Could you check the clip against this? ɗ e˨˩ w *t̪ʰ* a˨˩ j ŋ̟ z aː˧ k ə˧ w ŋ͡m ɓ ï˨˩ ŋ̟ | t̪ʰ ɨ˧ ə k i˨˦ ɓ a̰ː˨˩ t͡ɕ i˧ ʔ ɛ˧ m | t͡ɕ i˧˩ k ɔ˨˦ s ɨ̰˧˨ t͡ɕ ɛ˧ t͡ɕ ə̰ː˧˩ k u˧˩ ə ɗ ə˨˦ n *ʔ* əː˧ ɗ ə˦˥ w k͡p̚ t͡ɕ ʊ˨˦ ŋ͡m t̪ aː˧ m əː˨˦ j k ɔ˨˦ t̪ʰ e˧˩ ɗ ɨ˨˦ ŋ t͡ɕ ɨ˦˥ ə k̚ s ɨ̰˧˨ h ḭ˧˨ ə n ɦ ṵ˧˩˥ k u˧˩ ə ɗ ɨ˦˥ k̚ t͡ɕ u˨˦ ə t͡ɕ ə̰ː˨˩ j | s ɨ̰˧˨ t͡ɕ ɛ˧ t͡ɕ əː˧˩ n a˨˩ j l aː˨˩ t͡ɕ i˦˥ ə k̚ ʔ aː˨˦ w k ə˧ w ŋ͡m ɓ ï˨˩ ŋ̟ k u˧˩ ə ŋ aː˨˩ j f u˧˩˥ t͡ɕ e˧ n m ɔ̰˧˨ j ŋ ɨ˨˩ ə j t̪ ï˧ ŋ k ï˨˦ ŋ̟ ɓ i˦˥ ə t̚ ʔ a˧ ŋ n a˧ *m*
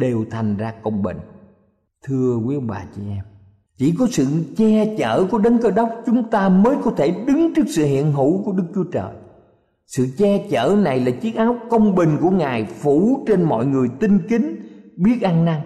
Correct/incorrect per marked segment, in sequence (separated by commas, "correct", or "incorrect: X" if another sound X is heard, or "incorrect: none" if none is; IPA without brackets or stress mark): correct, incorrect: k, incorrect: ŋ